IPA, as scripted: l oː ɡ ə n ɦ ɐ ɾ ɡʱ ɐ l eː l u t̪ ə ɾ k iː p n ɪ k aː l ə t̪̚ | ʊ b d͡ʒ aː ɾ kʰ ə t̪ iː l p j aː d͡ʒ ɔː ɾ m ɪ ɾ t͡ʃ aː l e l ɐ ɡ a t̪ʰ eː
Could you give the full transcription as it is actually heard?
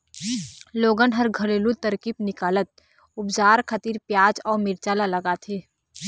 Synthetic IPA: l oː ɡ ə n ɦ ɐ ɾ ɡʱ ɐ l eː l u t̪ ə ɾ k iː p n ɪ k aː l ə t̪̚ | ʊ b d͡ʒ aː ɾ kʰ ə t̪ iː ɾ p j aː d͡ʒ ɔː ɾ m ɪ ɾ t͡ʃ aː l a l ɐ ɡ a t̪ʰ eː